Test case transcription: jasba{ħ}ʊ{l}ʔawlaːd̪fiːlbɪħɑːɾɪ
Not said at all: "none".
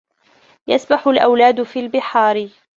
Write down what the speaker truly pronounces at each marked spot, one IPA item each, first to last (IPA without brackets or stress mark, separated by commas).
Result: ħ, l